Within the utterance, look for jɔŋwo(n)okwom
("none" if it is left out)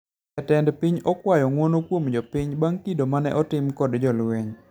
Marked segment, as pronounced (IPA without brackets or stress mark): n